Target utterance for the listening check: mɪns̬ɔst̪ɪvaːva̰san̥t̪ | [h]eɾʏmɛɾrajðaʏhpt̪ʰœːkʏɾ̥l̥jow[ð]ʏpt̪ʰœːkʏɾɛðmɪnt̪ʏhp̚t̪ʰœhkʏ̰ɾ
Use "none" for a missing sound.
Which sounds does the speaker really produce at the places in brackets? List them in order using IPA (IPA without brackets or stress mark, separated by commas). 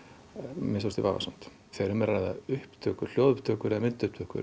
θ, ð